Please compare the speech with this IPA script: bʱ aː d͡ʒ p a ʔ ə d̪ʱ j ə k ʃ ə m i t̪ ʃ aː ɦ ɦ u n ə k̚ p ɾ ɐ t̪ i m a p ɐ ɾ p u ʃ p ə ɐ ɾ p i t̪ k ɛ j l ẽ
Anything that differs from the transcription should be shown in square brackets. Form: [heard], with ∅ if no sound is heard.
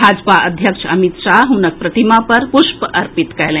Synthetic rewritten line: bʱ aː d͡ʒ p a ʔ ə d̪ʱ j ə k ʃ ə m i t̪ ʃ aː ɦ ɦ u n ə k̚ p ɾ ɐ t̪ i m a p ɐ ɾ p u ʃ p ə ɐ ɾ p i t̪ k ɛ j l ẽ

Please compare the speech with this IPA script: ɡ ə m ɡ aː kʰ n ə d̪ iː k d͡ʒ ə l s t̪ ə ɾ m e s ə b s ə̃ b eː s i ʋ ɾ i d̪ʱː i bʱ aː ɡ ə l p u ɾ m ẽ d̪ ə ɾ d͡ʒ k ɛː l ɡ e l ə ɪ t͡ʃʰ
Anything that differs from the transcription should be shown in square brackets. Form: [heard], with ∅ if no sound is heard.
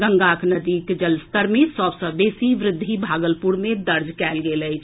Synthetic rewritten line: ɡ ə [ŋ] ɡ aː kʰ n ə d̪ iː k d͡ʒ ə l s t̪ ə ɾ m e s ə b s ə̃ b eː s i ʋ ɾ [ɪ] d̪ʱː i bʱ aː ɡ ə l p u ɾ m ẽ d̪ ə ɾ d͡ʒ k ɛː l ɡ e l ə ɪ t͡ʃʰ

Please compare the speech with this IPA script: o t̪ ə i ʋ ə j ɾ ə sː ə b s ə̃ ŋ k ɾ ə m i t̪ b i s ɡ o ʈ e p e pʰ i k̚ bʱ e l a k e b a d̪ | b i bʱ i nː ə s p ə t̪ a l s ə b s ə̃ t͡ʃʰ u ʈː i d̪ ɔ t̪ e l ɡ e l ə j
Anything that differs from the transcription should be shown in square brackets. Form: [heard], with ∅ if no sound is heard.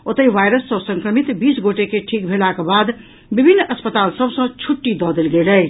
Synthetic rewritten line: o t̪ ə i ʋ [a] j ɾ ə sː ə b s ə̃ ŋ k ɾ ə m i t̪ b i s ɡ o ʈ e [k] e [ʈʰ] i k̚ bʱ e l a k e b a d̪ | b i bʱ i nː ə s p ə t̪ a l s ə b s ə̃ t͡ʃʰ u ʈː i d̪ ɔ [d̪] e l ɡ e l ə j

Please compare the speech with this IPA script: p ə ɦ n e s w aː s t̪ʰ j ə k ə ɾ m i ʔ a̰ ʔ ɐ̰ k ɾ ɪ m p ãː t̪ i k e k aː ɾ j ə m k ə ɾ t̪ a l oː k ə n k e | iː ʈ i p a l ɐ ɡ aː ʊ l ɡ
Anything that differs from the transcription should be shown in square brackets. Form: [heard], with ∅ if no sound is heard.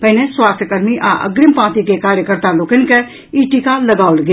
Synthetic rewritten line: p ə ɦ n e s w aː s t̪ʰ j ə k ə ɾ m i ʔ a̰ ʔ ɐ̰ [ɡ] ɾ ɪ m p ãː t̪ i k e k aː ɾ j ə [∅] k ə ɾ t̪ a l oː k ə n k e | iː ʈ i [k] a l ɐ ɡ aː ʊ l ɡ

